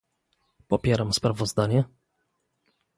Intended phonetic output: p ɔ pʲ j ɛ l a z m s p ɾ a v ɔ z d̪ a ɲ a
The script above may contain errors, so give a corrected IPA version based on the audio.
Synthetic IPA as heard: p ɔ pʲ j ɛ ɾ a m s p ɾ a v ɔ z d̪ a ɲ ɛ